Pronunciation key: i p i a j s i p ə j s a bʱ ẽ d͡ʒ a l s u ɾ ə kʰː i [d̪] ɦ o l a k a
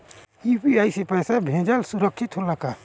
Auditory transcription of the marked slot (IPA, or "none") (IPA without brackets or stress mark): t̪